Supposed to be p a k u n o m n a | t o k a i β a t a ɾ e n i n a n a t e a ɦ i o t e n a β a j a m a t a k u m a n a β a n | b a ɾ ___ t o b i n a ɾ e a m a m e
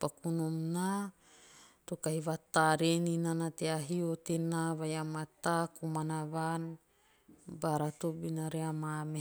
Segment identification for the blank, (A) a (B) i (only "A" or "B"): A